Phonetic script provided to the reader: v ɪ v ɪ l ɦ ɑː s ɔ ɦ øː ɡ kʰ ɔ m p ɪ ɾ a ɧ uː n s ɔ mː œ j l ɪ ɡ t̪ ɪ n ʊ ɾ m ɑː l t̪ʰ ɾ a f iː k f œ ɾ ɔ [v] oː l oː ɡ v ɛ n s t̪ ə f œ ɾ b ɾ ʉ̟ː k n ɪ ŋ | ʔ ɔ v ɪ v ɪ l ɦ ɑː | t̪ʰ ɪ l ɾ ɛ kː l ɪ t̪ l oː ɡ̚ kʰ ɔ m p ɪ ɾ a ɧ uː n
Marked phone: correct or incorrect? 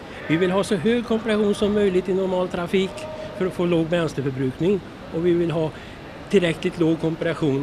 incorrect